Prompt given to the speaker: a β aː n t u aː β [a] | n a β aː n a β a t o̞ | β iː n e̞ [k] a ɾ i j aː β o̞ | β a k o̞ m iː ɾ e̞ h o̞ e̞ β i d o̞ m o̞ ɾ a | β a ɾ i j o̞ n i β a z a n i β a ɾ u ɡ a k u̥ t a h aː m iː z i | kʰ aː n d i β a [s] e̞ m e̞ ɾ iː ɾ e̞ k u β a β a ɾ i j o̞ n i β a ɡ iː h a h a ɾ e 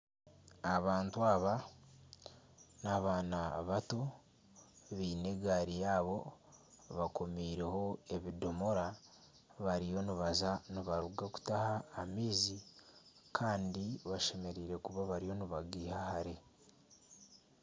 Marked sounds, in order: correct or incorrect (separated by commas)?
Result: correct, incorrect, incorrect